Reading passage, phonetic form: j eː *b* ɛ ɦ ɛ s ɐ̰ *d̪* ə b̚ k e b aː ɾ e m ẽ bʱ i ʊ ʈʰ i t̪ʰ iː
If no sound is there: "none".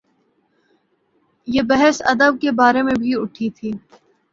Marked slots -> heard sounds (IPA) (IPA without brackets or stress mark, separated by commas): b, d̪